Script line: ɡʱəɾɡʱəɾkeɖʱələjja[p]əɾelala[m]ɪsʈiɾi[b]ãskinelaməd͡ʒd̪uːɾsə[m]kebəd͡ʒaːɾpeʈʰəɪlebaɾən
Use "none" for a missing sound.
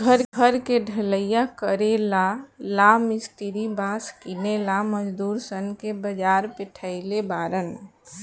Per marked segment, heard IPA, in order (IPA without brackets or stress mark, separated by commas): k, m, b, n